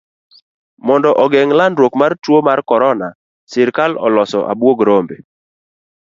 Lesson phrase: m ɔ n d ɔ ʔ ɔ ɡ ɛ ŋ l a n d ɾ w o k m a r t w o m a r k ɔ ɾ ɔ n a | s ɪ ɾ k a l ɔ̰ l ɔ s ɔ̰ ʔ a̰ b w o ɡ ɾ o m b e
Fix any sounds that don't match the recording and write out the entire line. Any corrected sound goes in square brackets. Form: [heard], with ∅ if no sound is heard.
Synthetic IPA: m ɔ n d ɔ ʔ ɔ ɡ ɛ ŋ l a n d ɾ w o k m a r t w o m a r k ɔ ɾ ɔ n a | s ɪ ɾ k a l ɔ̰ l ɔ s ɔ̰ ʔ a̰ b w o ɡ ɾ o m b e